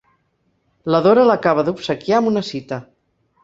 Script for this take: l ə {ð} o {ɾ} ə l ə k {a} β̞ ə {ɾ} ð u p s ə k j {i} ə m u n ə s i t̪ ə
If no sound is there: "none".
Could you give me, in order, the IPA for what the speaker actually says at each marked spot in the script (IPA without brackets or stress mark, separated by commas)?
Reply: ð, ɾ, a, none, a